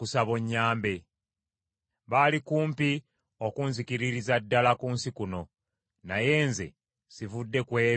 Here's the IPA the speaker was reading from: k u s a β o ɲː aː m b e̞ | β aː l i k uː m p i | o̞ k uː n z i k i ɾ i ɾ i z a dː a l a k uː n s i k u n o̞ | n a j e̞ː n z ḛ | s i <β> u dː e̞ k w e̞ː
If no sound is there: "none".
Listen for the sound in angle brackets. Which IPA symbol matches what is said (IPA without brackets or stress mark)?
v